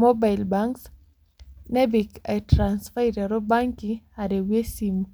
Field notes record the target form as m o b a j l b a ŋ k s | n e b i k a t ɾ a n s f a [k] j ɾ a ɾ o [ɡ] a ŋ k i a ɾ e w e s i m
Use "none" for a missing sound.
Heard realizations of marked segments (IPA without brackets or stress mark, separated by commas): none, b